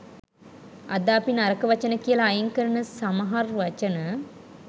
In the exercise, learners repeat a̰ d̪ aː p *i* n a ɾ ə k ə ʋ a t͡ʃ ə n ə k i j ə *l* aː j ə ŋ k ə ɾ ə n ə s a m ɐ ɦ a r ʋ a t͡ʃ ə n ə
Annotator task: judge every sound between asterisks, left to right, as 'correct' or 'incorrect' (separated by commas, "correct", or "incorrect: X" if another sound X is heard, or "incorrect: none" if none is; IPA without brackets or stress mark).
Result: correct, correct